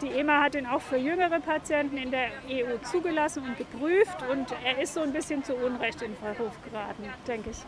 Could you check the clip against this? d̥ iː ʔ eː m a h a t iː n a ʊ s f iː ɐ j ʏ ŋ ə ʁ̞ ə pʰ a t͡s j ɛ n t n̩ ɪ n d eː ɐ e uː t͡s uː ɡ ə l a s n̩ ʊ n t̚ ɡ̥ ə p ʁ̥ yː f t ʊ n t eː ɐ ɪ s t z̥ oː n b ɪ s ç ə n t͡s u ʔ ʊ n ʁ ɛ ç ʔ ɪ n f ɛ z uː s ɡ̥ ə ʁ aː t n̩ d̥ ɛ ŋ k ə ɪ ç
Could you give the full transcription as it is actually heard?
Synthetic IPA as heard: d̥ iː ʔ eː m a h a t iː n a ʊ x f yː ɐ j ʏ ŋ ə ʁ̞ ə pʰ a t͡s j ɛ n t n̩ ɪ n d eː ɐ e uː t͡s uː ɡ ə l a s n̩ ʊ n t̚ ɡ̥ ə p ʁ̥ yː f t ʊ n t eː ɐ ɪ s t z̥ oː n b ɪ s ç ə n t͡s u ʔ ʊ n ʁ ɛ ç t ɪ n f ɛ ʁ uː f ɡ̥ ə ʁ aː t n̩ d̥ ɛ ŋ k ə ɪ ç